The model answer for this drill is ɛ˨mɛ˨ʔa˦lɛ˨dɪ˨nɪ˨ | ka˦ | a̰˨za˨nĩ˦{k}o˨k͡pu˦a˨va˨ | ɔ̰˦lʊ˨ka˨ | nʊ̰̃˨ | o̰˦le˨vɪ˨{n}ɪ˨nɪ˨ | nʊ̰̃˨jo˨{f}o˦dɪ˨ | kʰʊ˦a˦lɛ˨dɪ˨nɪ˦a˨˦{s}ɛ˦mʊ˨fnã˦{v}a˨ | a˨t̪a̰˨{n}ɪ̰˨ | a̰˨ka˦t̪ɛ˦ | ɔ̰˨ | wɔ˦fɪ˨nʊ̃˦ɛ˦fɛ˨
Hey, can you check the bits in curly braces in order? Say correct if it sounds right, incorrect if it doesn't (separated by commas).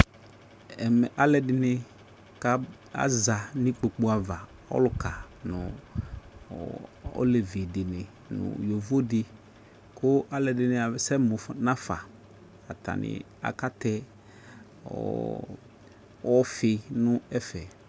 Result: incorrect, incorrect, incorrect, correct, incorrect, correct